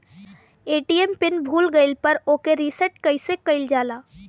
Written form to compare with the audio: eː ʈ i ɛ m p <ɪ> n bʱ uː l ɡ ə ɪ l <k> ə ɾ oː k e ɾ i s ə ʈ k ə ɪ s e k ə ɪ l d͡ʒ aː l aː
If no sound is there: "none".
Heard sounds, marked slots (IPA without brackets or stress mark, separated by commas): ɪ, p